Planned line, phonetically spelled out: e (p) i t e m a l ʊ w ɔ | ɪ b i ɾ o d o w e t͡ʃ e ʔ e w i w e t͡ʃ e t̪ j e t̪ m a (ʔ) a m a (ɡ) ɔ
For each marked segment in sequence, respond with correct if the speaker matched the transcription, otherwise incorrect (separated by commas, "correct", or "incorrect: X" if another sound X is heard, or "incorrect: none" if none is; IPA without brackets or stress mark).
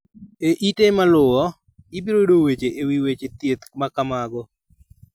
incorrect: ʔ, incorrect: k, correct